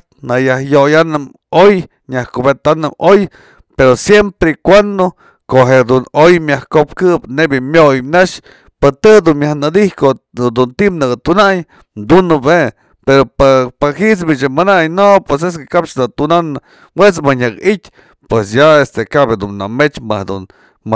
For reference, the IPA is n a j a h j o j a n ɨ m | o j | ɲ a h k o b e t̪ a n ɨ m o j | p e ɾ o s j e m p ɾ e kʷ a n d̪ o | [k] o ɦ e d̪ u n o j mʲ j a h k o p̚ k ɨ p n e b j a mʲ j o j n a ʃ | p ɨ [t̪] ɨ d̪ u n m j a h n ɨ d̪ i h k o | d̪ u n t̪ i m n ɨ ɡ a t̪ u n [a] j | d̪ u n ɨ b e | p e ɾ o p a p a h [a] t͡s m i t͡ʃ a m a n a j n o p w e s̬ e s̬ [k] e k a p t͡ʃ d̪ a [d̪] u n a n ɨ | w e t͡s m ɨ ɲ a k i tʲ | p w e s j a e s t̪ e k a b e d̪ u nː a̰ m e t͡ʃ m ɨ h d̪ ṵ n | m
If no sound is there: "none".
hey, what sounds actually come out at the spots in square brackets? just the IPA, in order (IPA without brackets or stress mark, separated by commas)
k, t̪, a, i, k, t̪